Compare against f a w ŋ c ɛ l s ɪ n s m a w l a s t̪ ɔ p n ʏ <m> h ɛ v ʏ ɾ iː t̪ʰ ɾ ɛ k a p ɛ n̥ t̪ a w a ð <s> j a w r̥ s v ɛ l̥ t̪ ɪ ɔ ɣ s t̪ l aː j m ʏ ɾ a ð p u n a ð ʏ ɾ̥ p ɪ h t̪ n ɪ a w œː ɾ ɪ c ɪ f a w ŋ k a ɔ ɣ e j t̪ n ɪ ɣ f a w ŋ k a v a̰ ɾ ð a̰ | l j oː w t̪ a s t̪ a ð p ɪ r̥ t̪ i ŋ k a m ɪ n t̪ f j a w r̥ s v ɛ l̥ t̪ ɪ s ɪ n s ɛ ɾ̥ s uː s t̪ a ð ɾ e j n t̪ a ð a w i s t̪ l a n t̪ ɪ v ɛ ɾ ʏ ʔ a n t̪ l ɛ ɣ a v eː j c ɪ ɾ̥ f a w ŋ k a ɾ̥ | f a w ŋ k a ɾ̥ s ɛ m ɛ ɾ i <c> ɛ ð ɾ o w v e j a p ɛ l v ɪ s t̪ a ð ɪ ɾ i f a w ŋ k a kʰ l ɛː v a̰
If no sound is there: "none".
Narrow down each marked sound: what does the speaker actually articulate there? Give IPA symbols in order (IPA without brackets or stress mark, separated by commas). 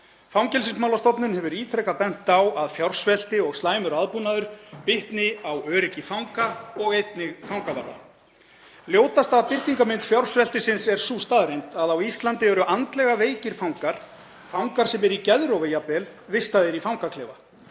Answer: n, f, c